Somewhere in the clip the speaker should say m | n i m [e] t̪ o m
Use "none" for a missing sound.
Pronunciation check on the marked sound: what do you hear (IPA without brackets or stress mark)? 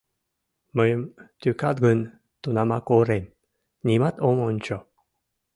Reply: a